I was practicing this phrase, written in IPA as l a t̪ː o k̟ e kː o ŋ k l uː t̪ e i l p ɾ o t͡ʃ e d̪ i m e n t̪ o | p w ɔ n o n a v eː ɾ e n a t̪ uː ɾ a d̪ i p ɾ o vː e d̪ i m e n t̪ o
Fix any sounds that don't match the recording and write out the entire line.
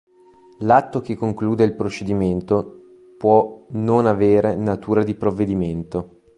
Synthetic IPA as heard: l a t̪ː o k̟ e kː o ŋ k l uː d̪ e i l p ɾ o t͡ʃ e d̪ i m e n t̪ o | p w ɔ n o n a v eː ɾ e n a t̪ uː ɾ a d̪ i p ɾ o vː e d̪ i m e n t̪ o